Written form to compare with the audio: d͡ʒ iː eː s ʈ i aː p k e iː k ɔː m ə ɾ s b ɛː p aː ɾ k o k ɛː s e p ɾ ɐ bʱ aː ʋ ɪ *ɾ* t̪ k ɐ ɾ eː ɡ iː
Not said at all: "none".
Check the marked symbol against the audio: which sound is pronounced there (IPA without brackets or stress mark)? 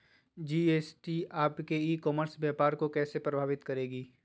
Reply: none